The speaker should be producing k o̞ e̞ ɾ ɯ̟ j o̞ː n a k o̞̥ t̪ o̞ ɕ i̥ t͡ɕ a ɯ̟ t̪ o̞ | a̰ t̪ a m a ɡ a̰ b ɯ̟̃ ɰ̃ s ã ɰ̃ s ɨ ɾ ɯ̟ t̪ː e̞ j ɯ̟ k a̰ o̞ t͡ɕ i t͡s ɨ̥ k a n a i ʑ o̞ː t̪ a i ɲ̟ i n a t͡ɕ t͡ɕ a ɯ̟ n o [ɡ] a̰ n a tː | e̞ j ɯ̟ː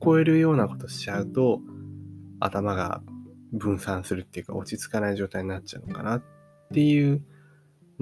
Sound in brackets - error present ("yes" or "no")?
yes